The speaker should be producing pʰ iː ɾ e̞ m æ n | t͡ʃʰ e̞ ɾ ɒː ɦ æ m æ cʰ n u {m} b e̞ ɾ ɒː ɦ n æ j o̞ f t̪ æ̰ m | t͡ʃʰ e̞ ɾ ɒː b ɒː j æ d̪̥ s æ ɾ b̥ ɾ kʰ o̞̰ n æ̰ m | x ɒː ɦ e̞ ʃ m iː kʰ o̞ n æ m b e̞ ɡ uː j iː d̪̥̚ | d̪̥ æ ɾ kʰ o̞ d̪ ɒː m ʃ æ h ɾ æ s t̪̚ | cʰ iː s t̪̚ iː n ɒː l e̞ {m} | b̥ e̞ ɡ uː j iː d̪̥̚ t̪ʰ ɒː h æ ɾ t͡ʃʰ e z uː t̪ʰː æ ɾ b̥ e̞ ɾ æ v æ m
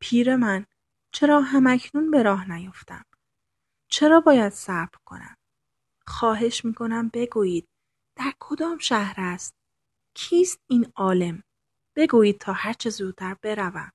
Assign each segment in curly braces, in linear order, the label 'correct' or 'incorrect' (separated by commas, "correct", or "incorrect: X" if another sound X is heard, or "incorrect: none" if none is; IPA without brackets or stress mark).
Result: incorrect: n, correct